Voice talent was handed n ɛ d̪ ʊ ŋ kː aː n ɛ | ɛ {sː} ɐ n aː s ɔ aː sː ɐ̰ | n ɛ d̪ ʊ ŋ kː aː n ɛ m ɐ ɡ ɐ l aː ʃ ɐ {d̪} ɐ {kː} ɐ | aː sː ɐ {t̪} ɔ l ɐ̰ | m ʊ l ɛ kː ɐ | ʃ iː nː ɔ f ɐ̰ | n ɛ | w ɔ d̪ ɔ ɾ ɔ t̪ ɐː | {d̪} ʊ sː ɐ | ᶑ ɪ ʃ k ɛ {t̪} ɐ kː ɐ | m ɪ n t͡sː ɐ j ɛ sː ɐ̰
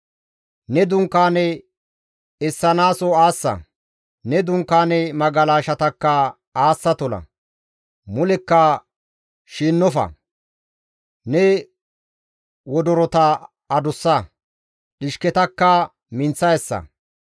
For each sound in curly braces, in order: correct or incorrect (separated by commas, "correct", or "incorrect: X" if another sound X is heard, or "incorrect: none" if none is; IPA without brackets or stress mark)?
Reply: correct, incorrect: t̪, correct, correct, correct, correct